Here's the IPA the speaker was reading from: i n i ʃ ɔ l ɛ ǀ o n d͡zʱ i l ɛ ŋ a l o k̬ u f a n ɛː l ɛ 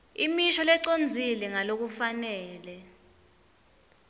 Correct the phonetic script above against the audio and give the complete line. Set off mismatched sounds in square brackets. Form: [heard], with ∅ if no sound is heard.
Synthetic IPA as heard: i [m] i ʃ ɔ l ɛ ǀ o n d͡zʱ i l ɛ ŋ a l o k̬ u f a n ɛː l ɛ